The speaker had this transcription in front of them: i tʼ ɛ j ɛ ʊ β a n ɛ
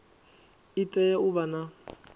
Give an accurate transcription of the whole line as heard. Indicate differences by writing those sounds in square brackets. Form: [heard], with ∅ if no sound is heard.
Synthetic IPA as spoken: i tʼ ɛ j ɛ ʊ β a n [a]